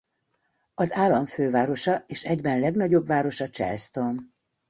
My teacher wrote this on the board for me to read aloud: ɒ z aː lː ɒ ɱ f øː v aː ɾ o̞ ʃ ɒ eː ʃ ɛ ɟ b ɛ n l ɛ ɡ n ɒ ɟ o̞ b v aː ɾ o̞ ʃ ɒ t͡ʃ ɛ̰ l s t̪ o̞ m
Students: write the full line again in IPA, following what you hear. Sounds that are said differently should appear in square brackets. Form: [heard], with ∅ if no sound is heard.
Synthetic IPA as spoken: ɒ z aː lː ɒ ɱ f øː v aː ɾ o̞ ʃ ɒ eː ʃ ɛ ɟ b ɛ n l ɛ ɡ n ɒ ɟ o̞ b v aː ɾ o̞ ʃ ɒ t͡ʃ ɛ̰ l s t̪ o̞ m